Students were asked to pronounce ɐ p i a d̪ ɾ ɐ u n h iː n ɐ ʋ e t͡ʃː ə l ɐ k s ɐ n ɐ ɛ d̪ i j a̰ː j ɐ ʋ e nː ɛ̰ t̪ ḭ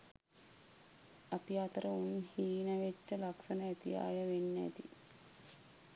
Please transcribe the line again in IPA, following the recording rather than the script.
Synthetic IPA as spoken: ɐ p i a t̪ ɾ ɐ u n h iː n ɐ ʋ e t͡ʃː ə l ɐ k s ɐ n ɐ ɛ t̪ i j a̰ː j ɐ ʋ e nː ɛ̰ t̪ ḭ